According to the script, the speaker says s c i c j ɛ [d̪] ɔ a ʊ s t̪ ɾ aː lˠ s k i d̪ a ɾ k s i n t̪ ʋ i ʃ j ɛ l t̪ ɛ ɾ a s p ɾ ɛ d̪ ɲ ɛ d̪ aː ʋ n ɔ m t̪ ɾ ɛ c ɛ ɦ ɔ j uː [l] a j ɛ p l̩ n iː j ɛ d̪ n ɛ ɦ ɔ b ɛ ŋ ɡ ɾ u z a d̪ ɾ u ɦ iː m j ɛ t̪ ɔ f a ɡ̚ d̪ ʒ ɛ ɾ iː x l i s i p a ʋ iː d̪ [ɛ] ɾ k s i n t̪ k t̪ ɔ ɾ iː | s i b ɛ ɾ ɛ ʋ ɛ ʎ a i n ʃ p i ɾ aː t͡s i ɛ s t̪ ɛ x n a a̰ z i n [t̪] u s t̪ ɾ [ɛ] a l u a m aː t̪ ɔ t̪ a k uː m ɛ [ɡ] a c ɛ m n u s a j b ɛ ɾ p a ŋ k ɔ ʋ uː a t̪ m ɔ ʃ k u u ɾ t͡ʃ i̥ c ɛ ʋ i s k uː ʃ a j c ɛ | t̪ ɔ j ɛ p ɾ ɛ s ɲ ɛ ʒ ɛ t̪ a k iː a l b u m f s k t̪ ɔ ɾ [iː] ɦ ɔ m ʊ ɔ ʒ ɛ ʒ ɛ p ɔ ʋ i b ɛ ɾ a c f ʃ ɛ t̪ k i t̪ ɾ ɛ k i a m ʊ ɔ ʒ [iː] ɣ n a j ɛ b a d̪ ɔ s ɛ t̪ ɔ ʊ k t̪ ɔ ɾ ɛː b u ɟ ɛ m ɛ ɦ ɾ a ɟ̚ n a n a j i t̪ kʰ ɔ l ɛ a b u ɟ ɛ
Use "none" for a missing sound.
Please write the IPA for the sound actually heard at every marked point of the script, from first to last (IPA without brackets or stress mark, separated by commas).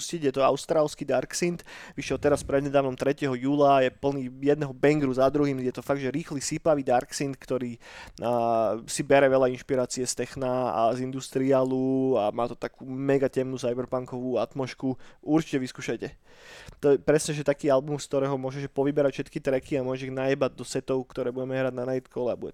t̪, l, a, d̪, i, ɡ, ɛː, i